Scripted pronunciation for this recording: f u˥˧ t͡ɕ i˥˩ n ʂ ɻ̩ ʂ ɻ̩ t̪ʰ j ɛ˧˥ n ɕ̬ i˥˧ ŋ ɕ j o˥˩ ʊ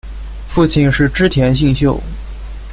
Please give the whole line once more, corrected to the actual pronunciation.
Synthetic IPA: f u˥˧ t͡ɕʰ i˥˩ n ʂ ɻ̩ ʈ͡ʂ ɻ̩ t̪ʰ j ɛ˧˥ n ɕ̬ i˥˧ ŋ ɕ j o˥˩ ʊ